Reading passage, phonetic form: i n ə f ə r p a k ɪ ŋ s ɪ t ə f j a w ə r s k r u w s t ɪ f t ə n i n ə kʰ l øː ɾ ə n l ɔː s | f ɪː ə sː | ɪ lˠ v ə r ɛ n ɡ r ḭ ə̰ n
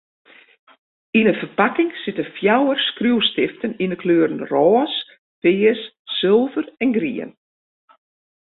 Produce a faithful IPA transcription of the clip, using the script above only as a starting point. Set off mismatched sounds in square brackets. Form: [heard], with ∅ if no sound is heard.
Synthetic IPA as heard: i n ə f ə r p a k ɪ ŋ s ɪ t ə f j a w ə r s k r u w s t ɪ f t ə n i n ə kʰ l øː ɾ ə n [r] ɔː s | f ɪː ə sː | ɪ lˠ v ə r ɛ n ɡ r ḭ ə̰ n

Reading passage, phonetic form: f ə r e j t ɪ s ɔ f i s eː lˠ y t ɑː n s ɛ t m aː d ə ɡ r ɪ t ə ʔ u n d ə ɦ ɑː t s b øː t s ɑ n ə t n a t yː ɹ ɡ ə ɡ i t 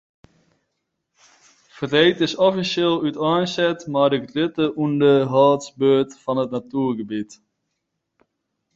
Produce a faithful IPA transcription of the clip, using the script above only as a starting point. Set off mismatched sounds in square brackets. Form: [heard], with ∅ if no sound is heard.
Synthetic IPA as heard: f ə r e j t ɪ s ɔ f i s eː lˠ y t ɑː n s ɛ t m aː d ə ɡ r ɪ t ə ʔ u n d ə ɦ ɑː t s b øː t [f] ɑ n ə t n a t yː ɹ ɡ ə [b] i t

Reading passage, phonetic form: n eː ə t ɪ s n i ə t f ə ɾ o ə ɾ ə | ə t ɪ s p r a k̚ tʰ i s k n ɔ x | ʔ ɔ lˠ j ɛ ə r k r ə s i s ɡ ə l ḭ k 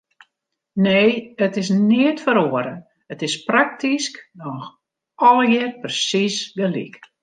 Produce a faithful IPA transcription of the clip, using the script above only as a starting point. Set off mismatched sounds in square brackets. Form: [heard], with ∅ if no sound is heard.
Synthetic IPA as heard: n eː ə t ɪ s n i ə t f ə ɾ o ə ɾ ə | ə t ɪ s p r a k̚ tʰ i s k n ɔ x | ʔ ɔ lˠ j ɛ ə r [p] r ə s i s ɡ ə l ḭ k

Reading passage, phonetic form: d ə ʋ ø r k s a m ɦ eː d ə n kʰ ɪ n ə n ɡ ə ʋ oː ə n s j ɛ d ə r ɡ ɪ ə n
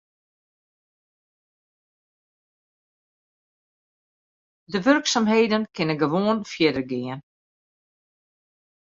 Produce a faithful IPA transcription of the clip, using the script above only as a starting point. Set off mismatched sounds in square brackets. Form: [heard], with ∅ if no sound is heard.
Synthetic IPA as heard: d ə ʋ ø r k s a m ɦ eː d ə n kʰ ɪ n ə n ɡ ə ʋ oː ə n [f] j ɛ d ə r ɡ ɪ ə n

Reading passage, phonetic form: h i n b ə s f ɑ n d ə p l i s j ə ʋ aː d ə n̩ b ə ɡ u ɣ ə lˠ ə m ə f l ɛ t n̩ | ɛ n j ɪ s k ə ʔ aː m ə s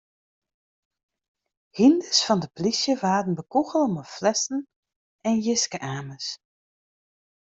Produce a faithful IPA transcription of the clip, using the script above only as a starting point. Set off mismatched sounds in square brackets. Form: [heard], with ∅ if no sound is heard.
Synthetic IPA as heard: h i n [d] ə s f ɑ n d ə p l i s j ə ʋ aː d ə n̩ b ə [k] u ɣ ə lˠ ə m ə f l ɛ [s] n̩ | ɛ n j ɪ s k ə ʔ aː m ə s

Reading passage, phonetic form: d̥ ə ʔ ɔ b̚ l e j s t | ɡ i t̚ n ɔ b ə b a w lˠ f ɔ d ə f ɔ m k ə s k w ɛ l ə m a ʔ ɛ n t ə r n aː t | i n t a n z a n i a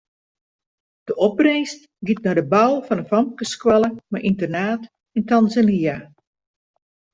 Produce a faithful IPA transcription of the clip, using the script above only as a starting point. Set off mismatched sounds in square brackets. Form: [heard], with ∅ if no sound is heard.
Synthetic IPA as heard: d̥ ə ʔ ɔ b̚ [r] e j s t | ɡ i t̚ n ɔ [d] ə b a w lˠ f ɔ [n] ə f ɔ m k ə s k w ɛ l ə m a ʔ [i] n t ə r n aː t | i n t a n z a n i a

